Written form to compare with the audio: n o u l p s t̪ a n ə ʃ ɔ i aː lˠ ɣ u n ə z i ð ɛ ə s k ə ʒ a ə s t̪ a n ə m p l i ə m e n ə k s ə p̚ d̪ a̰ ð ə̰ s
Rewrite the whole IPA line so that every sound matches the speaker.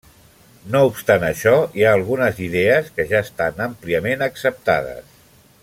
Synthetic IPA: n o u p s t̪ a n ə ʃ ɔ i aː lˠ ɣ u n ə z i ð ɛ ə s k ə ʒ a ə s t̪ a n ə m p l i ə m e n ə k s ə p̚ t̪ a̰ ð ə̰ s